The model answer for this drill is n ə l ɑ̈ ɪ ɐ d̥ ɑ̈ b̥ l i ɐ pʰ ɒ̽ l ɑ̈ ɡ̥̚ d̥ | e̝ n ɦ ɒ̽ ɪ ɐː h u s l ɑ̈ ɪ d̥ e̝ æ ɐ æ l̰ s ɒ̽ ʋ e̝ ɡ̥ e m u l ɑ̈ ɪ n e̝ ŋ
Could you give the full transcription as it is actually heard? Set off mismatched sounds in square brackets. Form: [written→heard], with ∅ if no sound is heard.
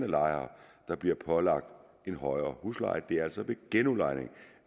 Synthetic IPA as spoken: n ə l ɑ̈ ɪ ɐ d̥ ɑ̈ b̥ l i ɐ pʰ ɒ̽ l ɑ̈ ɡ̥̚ d̥ | e̝ n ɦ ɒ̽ ɪ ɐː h u s l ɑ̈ ɪ d̥ e̝ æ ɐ æ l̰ s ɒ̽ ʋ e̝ ɡ̥ e [m→n] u l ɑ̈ ɪ n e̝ ŋ